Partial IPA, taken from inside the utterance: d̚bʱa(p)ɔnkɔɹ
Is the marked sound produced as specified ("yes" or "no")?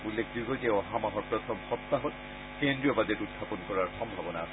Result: yes